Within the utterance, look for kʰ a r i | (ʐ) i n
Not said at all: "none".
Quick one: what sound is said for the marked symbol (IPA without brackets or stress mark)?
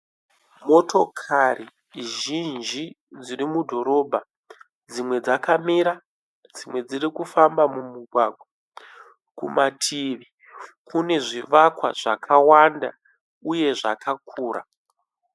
ʒ